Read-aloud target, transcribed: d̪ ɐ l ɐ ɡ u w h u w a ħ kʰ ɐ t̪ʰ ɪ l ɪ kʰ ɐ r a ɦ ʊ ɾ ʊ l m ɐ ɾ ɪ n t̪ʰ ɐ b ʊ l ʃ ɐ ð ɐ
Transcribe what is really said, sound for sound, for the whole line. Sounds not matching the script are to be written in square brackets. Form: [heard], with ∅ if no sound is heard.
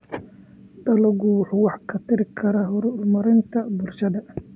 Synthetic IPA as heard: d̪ ɐ l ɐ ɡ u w [ħ] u w [ɑ] ħ kʰ ɐ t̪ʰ ɪ [ɾ] ɪ kʰ ɐ [ɾ] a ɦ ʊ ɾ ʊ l m ɐ ɾ ɪ n t̪ʰ ɐ b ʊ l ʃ ɐ ð ɐ